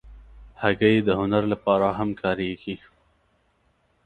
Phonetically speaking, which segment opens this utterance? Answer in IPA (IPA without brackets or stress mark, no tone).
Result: h